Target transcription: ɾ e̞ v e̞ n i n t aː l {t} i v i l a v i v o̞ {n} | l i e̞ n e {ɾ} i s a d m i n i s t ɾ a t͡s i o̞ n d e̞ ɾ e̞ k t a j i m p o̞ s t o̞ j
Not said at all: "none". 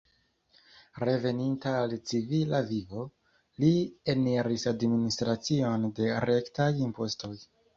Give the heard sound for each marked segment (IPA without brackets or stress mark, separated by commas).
t͡s, none, ɾ